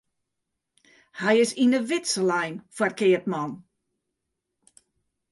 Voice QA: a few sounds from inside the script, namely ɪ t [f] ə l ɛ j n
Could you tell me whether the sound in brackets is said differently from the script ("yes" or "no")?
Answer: yes